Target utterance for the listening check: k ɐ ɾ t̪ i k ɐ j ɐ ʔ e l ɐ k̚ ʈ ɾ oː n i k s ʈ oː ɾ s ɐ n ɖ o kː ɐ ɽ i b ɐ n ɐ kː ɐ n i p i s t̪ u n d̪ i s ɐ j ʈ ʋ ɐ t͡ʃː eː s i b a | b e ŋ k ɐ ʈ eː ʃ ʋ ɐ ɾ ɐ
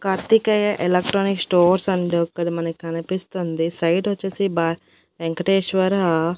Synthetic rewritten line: k ɐ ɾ t̪ i k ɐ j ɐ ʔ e l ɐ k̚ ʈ ɾ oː n i k s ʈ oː ɾ s ɐ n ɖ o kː ɐ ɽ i m ɐ n ɐ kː ɐ n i p i s t̪ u n d̪ i s ɐ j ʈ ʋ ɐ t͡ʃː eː s i b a | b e ŋ k ɐ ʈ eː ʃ ʋ ɐ ɾ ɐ